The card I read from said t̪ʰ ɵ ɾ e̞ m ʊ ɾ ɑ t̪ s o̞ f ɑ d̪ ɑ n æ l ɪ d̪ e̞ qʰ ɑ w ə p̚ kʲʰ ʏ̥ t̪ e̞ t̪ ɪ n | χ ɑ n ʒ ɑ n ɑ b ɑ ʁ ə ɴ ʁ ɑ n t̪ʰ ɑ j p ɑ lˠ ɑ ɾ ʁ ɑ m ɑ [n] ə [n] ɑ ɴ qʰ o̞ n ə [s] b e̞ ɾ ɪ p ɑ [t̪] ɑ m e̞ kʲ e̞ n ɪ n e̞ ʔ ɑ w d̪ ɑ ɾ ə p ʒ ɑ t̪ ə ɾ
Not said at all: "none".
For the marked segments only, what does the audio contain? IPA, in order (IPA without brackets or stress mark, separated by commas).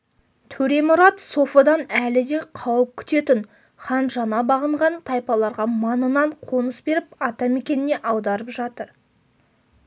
n, n, s, t̪